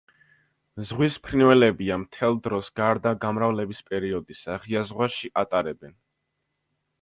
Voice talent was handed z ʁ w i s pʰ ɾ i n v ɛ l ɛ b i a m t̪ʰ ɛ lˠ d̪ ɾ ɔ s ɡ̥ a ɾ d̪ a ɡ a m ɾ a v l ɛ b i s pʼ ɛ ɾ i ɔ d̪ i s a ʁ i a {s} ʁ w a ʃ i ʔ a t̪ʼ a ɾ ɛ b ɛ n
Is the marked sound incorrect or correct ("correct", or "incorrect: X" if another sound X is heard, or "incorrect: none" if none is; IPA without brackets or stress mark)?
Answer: incorrect: z